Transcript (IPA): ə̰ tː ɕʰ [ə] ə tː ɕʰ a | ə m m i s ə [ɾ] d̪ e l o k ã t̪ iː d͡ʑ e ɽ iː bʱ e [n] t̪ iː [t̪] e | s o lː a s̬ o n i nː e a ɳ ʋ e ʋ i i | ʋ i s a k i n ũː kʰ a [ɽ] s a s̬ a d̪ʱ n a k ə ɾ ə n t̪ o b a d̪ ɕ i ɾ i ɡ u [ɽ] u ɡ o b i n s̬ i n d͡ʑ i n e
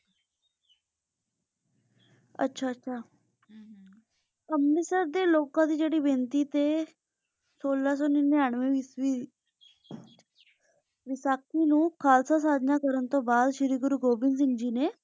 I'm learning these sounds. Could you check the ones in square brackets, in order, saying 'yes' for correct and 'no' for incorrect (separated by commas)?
no, yes, yes, yes, no, no